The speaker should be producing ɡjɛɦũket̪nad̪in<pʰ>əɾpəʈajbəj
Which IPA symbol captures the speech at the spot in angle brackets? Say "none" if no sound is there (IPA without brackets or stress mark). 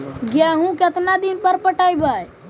p